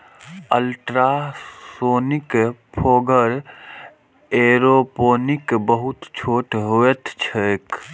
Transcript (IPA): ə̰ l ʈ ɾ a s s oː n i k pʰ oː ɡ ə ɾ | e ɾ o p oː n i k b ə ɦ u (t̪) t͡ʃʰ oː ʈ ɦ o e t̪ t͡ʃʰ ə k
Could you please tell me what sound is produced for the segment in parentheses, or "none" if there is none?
t̪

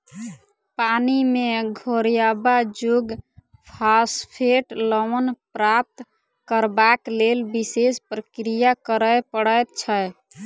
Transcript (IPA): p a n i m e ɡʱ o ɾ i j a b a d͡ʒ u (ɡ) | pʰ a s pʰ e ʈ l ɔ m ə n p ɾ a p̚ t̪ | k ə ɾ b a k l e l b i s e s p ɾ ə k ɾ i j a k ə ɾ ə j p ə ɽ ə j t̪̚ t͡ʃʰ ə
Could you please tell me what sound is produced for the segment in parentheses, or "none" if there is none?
ɡ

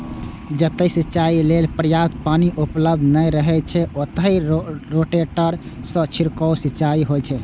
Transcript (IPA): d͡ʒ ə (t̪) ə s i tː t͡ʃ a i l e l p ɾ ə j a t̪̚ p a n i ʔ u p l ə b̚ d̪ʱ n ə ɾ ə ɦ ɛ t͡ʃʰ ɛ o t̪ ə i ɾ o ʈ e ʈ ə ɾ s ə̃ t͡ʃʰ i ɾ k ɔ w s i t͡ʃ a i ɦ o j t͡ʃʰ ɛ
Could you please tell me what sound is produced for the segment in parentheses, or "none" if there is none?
t̪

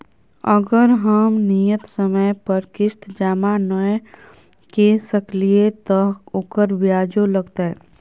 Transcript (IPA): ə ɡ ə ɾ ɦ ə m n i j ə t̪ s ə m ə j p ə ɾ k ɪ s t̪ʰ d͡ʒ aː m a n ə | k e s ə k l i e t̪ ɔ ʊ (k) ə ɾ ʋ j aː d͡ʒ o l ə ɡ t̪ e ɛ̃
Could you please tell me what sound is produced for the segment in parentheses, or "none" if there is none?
k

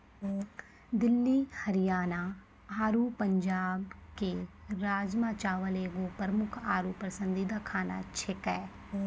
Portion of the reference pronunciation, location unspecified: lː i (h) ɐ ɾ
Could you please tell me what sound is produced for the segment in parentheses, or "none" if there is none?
h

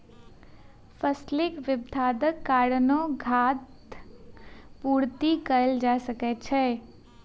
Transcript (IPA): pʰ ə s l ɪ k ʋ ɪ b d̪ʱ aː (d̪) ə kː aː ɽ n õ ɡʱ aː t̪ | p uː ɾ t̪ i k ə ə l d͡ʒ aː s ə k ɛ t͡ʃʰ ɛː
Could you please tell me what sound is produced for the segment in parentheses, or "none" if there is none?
d̪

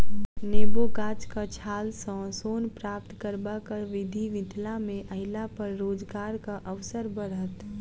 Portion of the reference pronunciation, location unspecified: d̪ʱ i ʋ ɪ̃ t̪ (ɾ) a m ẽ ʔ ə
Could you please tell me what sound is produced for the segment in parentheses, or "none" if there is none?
l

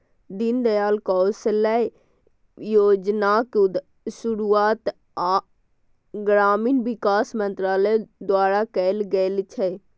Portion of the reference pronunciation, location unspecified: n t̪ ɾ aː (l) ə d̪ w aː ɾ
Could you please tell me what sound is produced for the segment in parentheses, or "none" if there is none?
l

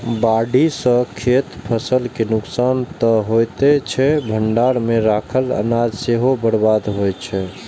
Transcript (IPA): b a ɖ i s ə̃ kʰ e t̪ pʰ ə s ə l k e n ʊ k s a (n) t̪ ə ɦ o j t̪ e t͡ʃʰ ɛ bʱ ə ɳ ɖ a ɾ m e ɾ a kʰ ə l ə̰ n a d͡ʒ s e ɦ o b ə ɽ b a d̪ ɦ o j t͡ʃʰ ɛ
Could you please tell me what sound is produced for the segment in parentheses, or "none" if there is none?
n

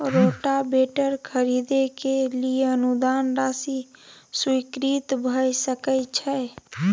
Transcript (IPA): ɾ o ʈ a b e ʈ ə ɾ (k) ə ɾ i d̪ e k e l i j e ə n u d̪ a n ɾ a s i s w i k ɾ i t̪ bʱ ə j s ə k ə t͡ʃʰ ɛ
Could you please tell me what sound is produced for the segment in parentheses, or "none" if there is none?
kʰ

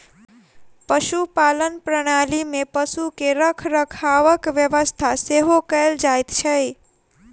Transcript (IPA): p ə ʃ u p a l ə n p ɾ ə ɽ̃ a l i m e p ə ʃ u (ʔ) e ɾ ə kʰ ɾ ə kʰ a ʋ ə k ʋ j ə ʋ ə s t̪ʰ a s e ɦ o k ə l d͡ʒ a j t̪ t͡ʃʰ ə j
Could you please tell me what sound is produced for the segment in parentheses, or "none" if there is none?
k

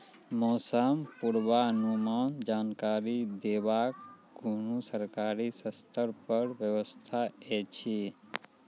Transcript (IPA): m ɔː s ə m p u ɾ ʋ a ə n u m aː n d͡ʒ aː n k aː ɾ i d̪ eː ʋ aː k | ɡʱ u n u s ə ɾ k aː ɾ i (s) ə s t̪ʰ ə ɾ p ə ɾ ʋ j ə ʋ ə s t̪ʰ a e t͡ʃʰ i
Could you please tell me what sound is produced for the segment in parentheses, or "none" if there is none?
s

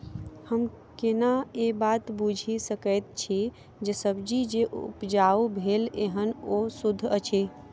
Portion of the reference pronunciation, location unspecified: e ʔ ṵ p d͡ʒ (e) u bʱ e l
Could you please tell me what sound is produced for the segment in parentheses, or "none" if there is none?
a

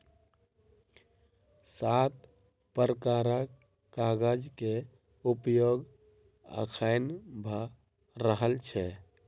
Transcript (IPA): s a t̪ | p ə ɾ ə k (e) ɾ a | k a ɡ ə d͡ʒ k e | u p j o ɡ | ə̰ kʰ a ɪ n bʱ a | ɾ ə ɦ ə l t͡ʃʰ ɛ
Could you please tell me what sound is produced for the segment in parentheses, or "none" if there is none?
a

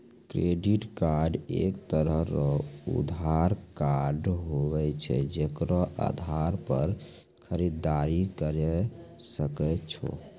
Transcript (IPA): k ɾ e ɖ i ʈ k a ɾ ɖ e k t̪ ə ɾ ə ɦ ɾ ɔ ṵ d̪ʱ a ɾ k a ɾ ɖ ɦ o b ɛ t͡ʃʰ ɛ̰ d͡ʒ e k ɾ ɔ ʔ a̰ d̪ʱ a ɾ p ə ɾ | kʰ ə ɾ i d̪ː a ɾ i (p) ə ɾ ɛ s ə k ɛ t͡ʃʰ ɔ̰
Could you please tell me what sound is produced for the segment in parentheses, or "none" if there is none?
k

